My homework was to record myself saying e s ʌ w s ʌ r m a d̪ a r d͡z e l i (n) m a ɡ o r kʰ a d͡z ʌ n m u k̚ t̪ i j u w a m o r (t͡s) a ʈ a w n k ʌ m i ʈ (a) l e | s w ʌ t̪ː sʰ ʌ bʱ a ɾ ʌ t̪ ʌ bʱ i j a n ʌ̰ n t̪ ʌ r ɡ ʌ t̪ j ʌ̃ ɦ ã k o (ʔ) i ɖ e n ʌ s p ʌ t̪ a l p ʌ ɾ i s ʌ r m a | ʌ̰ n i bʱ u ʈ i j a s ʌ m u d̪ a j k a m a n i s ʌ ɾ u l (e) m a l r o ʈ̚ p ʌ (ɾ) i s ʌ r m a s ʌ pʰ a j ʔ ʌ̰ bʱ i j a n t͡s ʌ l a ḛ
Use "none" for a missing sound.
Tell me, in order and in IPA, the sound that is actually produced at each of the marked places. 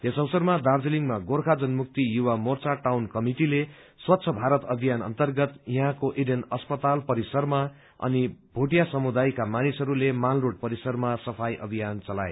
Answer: ŋ, t͡s, i, ʔ, e, ɾ

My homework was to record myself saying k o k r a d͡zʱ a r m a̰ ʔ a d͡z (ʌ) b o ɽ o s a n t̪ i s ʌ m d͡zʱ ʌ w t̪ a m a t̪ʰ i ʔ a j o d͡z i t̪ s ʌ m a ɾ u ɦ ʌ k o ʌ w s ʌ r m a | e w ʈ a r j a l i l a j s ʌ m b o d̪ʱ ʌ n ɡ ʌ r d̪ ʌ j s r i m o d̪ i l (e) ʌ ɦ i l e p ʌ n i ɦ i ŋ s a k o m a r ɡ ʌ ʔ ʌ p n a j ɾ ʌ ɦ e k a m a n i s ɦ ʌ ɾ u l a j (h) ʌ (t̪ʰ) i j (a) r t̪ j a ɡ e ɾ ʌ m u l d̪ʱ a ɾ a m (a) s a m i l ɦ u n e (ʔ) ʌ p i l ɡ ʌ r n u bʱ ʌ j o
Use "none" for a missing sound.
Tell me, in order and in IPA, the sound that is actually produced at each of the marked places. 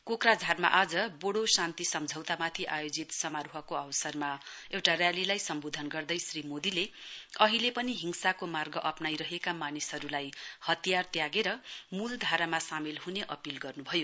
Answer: ʌ, e, h, t̪, a, a, ʔ

